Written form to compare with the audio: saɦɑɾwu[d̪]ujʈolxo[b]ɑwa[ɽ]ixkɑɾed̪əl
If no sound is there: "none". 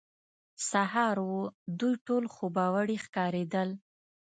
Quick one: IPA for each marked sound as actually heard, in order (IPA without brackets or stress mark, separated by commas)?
d̪, b, ɽ